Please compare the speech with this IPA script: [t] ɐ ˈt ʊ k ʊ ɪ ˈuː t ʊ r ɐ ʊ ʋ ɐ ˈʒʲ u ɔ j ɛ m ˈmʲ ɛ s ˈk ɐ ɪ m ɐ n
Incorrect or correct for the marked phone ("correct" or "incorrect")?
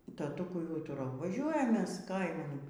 correct